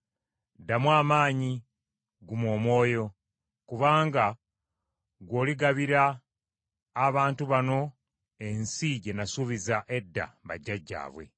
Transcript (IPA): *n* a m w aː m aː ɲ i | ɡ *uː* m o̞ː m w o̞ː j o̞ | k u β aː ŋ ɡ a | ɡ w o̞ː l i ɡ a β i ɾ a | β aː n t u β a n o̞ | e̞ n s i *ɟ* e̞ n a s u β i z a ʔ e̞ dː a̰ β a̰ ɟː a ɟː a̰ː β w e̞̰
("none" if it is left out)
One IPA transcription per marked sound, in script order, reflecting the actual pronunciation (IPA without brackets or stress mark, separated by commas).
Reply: d, u, ɟ